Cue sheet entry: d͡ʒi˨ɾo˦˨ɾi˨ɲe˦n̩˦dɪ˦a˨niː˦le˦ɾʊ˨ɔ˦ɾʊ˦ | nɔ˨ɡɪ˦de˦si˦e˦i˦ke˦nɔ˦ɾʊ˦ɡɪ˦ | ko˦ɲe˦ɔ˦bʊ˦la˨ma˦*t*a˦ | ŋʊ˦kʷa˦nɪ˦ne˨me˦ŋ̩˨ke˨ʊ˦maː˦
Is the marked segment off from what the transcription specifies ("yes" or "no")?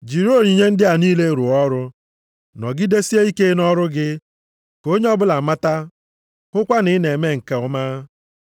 no